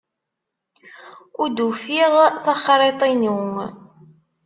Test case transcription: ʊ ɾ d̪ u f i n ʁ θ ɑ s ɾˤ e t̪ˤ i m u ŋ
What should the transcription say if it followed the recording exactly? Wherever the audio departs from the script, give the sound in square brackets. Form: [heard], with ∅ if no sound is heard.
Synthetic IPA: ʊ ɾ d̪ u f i [∅] ʁ θ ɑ [χ] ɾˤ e t̪ˤ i [n] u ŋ